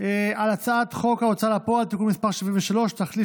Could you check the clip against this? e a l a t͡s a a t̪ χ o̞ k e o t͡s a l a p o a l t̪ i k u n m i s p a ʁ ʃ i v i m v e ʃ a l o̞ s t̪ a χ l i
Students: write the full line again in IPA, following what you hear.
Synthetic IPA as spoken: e a l a t͡s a a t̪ χ o̞ k a o t͡s a l a p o a l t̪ i k u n m i s p a ʁ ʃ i v i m v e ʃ a l o̞ ʃ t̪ a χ l i

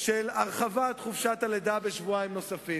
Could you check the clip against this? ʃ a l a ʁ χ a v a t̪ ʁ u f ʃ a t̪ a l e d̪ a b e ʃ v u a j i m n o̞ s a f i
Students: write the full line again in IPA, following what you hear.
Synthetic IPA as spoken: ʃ e l a ʁ χ a v a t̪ χ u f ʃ a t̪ a l e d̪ a b e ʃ v u a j i m n o̞ s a f i

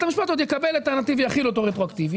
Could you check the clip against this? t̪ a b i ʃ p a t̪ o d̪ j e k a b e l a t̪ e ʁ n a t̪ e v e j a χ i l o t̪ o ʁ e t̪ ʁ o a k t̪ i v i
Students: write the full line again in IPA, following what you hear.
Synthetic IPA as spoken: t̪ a m i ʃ p a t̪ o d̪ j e k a b e l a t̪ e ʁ n a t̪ i v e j a χ i l o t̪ o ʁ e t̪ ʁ o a k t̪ i v i

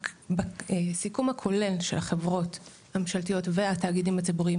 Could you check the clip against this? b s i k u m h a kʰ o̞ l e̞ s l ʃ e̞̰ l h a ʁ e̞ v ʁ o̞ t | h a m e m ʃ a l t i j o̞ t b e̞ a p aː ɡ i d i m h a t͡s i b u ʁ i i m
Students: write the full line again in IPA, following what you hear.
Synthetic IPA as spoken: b s i k u m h a kʰ o̞ l e̞ l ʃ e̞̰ l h a χ e̞ v ʁ o̞ t | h a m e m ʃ a l t i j o̞ t v e̞ a t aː ɡ i d i m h a t͡s i b u ʁ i i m

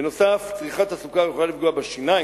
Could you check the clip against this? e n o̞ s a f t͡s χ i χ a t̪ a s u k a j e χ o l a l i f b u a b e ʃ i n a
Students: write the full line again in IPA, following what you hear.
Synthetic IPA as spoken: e n o̞ s a f t͡s ʁ i χ a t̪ a s u k a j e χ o l a l i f ɡ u a b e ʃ i n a

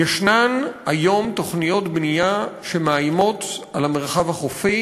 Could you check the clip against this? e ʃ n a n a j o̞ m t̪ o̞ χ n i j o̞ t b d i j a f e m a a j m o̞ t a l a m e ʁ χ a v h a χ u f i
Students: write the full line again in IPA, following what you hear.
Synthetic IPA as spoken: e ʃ n a n a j o̞ m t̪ o̞ χ n i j o̞ t b n i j a ʃ e m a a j m o̞ t a l a m e ʁ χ a v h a χ o f i

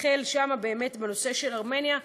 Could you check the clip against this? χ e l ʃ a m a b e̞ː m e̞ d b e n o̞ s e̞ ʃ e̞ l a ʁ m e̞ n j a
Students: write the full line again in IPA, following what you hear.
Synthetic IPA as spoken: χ e l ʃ a m a b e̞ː m e̞ t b e n o̞ s e̞ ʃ e̞ l a ʁ m e̞ n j a

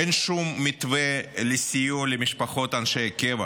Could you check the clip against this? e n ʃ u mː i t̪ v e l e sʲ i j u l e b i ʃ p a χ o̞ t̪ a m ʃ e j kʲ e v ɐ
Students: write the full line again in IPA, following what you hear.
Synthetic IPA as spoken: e n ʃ u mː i t̪ v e l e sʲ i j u l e m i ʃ p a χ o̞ t̪ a n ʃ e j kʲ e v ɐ

